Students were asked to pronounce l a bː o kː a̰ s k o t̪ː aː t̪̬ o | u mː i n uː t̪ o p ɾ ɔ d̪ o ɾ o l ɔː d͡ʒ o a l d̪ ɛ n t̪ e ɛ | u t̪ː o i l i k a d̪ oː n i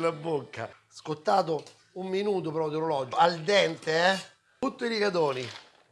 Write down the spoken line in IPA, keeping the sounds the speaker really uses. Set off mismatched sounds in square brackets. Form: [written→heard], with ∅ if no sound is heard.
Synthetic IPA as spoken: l a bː o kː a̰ s k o t̪ː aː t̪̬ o | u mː i n uː t̪ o p ɾ ɔ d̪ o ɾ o l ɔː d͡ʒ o a l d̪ ɛ n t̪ e ɛ | u t̪ː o i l i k a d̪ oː n i